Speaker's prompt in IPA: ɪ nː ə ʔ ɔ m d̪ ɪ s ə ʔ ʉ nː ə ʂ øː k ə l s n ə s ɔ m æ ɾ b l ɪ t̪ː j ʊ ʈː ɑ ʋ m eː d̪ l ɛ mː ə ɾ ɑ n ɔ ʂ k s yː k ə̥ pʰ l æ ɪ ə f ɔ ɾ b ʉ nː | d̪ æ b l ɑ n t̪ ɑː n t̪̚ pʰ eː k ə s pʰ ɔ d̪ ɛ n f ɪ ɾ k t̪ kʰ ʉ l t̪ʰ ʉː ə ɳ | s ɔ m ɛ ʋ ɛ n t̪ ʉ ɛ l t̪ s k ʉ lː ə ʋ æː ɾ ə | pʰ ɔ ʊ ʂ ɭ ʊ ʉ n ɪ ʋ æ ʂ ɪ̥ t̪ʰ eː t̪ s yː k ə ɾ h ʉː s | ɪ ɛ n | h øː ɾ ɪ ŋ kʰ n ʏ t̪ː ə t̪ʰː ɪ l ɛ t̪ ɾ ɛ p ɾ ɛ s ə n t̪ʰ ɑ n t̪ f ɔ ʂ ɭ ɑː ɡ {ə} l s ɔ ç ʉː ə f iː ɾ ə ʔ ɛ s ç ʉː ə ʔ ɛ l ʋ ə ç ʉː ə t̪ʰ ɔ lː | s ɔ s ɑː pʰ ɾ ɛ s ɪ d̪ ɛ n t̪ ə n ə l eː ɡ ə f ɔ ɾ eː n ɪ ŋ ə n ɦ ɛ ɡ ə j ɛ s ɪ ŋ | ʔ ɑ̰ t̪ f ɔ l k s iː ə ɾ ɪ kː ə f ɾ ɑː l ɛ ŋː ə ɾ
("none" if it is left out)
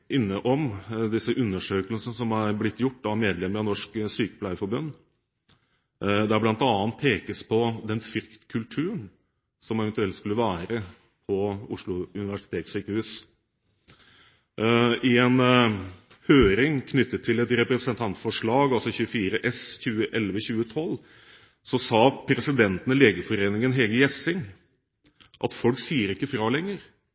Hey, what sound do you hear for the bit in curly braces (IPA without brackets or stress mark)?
ɑ